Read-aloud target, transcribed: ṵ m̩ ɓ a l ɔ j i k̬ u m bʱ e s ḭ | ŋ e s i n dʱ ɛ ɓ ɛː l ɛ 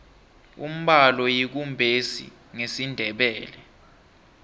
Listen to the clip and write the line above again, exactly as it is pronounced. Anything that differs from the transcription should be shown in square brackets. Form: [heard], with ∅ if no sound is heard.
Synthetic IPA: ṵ m̩ ɓ a l ɔ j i k̬ u m bʱ e s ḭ | ŋ e s i n dʱ ɛ ɓ ɛː l ɛ